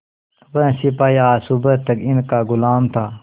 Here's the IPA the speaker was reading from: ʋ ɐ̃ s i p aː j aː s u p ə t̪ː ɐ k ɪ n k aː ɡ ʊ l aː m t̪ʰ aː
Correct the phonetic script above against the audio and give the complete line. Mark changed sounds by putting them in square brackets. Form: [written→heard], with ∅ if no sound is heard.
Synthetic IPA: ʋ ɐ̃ s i p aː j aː s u [p→b] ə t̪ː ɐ k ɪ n k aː ɡ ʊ l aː m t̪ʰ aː